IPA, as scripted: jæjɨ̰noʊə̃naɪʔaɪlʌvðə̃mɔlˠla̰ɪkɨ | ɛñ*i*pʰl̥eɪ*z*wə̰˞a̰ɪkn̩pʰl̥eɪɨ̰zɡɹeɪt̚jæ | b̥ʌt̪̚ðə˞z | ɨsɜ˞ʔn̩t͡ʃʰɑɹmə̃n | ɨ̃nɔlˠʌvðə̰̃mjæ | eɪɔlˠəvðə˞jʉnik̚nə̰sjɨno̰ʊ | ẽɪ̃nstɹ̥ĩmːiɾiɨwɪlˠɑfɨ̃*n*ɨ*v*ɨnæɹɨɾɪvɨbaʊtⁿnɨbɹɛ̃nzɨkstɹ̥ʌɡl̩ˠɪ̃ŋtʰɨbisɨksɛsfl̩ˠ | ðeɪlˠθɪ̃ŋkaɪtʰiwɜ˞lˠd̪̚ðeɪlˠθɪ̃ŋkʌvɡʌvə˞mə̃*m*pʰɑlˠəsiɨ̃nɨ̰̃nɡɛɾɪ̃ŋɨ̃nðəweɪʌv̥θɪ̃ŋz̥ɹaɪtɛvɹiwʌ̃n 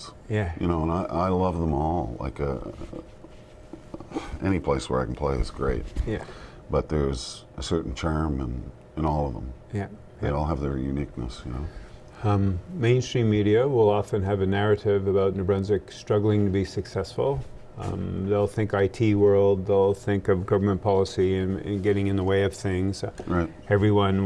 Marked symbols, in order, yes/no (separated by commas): yes, no, yes, yes, no